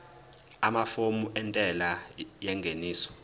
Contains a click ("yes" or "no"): no